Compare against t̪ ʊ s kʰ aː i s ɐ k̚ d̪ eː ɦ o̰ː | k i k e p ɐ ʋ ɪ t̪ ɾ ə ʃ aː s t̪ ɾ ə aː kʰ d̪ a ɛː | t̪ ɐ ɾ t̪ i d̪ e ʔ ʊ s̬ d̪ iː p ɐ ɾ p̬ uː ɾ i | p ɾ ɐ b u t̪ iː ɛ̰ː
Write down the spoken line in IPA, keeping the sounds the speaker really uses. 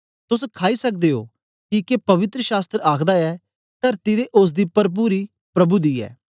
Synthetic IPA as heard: t̪ ʊ s kʰ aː i s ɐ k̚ d̪ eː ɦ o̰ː | k i k e p ɐ ʋ ɪ t̪ ɾ ə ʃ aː s t̪ ɾ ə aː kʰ d̪ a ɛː | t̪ ɐ ɾ t̪ i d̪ e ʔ ʊ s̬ d̪ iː p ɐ ɾ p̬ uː ɾ i | p ɾ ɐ b u d̪ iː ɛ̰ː

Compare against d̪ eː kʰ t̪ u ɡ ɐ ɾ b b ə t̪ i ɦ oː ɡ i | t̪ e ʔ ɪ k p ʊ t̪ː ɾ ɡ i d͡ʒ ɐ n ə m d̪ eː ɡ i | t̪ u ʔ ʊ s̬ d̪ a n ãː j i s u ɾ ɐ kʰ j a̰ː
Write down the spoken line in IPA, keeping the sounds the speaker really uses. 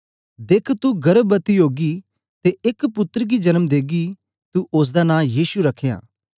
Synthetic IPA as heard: d̪ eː kʰ t̪ u ɡ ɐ ɾ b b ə t̪ i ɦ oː ɡ i | t̪ e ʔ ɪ k p ʊ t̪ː ɾ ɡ i d͡ʒ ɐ n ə m d̪ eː ɡ i | t̪ u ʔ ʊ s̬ d̪ a n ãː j iː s u ɾ ɐ kʰ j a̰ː

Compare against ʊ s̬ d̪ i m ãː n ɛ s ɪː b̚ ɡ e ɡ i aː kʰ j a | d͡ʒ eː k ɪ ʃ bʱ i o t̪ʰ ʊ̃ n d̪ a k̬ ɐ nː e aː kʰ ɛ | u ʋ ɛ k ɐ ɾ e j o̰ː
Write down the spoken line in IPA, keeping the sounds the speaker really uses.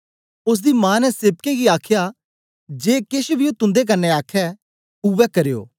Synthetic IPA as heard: ʊ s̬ d̪ i m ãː n ɛ s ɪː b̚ k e ɡ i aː kʰ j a | d͡ʒ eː k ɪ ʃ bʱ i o t̪ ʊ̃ n d̪ e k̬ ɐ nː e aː kʰ ɛ | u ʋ ɛ k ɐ ɾ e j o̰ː

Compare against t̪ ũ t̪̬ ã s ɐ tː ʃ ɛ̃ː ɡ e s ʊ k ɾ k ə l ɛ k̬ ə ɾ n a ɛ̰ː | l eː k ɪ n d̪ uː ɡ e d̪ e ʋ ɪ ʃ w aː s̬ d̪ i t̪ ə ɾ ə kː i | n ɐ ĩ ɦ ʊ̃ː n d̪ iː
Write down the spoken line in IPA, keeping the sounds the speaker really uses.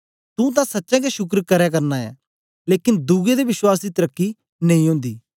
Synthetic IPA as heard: t̪ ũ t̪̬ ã s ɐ tː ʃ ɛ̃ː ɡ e ʃ ʊ k ɾ k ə ɾ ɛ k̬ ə ɾ n a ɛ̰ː | l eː k ɪ n d̪ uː ɡ e d̪ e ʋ ɪ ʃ w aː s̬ d̪ i t̪ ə ɾ ə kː i | n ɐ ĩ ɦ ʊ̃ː n d̪ iː

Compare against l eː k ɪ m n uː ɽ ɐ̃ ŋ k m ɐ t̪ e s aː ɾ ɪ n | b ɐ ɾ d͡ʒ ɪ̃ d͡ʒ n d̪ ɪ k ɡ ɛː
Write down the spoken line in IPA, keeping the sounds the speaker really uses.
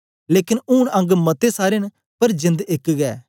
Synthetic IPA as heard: l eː k ɪ n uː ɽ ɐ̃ ŋ ɡ m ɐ t̪ e s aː ɾ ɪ n | p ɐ ɾ d͡ʒ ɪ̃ n d̪ ɪ k ɡ ɛː

